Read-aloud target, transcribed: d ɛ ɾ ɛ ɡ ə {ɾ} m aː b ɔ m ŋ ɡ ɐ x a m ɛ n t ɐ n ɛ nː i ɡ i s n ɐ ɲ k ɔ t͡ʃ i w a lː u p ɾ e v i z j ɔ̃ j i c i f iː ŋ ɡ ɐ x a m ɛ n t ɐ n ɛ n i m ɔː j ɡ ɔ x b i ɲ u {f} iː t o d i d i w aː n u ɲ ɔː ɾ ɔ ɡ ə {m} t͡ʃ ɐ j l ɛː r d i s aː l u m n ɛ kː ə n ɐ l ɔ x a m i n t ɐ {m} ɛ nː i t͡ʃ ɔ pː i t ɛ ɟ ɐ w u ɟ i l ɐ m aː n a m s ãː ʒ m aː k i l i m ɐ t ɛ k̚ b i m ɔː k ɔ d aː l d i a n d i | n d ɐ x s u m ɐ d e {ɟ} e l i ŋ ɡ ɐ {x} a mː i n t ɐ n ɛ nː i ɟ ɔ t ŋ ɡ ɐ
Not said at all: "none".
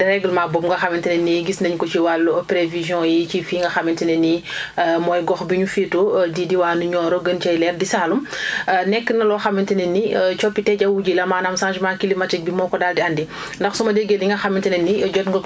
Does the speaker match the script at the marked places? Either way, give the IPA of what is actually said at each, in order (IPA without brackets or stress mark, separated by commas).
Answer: l, f, n, n, ɡ, x